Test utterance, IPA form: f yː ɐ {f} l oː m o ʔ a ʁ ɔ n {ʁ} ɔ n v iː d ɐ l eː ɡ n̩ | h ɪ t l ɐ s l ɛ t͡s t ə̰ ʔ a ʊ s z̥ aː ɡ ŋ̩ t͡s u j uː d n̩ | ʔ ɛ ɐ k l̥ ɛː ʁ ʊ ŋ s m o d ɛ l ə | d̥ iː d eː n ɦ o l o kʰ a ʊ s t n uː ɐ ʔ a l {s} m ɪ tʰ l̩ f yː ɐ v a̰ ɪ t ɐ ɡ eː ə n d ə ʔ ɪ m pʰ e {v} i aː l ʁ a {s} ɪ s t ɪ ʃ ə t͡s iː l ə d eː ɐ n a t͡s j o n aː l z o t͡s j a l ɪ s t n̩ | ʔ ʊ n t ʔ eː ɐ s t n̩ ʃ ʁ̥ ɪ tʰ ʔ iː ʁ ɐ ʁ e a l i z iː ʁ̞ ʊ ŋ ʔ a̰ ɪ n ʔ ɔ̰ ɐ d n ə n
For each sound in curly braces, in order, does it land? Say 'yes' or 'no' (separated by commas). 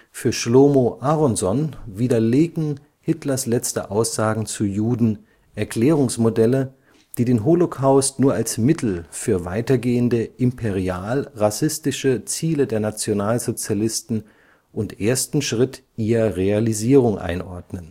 no, no, yes, no, yes